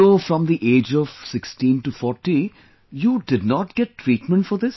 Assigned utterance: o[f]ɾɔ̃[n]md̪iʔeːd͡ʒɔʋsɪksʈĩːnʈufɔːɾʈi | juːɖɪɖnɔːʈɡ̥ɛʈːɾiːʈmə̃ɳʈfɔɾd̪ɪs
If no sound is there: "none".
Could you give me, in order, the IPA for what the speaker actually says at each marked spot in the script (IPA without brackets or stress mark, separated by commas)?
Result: f, none